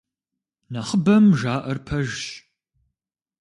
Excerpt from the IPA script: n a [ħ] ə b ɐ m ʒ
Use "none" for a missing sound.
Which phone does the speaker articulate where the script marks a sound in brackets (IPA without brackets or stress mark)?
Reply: χ